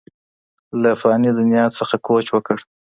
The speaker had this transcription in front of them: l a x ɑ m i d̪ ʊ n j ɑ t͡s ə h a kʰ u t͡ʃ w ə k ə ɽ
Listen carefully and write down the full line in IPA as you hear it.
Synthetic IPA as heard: l a f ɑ n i d̪ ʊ n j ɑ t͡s ə x a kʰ o t͡ʃ w ə k ə ɽ